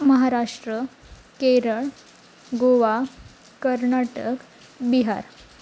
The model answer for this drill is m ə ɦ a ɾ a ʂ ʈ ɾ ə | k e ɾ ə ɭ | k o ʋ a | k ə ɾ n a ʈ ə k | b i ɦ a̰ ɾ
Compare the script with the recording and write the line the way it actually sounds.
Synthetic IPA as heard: m ə ɦ a ɾ a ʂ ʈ ɾ ə | k e ɾ ə ɭ | ɡ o ʋ a | k ə ɾ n a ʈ ə k | b i ɦ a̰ ɾ